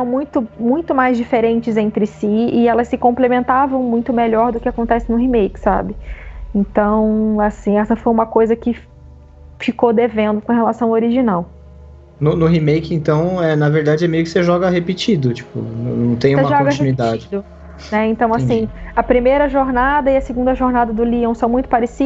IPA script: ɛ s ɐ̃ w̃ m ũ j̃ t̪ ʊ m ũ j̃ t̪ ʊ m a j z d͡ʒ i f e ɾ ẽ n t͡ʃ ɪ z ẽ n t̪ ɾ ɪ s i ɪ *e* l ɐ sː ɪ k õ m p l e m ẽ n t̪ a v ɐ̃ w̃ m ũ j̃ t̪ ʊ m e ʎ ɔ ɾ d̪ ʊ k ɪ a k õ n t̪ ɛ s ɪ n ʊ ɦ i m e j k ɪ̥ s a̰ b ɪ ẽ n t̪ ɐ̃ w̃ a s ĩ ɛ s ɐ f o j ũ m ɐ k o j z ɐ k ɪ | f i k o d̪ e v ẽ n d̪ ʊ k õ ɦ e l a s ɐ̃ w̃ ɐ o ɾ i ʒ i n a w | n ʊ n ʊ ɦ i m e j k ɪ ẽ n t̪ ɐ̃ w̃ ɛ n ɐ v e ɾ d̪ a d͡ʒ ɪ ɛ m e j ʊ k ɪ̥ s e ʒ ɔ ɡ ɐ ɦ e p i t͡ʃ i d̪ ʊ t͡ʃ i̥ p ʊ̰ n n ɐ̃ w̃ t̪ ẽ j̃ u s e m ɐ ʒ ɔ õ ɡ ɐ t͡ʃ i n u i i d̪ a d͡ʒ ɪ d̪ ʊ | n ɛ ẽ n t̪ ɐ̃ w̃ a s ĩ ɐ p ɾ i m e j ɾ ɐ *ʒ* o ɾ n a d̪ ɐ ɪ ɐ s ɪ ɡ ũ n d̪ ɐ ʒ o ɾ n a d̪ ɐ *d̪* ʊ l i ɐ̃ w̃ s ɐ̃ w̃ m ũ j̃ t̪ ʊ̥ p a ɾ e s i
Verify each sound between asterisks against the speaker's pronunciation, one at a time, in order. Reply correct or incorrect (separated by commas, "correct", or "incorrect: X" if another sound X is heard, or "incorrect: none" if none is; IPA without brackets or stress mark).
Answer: incorrect: ɛ, correct, correct